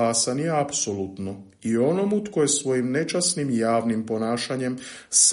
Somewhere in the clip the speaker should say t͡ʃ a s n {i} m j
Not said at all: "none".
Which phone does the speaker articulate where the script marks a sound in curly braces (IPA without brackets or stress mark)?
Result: i